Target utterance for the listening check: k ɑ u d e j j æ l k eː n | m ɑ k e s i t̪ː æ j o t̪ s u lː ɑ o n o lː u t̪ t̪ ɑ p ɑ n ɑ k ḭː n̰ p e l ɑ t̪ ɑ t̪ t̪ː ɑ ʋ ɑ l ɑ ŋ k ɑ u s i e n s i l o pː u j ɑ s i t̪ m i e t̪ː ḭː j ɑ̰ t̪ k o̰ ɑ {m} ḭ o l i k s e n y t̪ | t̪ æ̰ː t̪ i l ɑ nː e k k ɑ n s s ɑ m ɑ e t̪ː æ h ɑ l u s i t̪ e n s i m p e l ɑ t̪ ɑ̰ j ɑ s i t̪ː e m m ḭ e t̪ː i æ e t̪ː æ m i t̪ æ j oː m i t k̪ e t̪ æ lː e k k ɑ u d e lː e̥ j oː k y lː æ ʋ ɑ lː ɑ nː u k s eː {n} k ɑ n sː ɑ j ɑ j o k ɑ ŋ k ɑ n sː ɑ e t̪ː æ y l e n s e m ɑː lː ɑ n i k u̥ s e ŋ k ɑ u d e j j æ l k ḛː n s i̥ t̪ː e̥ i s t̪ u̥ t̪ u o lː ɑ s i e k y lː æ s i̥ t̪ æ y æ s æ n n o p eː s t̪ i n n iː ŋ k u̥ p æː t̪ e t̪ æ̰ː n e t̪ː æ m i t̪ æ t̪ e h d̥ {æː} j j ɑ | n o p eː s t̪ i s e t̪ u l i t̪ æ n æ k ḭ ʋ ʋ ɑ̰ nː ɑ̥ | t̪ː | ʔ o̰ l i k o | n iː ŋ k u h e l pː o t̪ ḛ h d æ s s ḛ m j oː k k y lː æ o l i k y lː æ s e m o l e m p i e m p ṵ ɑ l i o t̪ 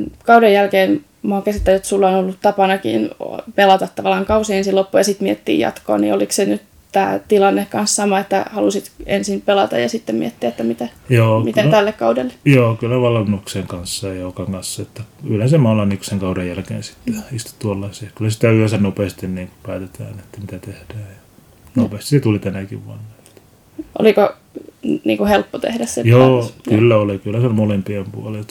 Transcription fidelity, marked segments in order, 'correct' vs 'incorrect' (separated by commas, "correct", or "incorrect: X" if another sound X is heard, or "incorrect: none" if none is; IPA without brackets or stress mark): incorrect: n, incorrect: ŋ, correct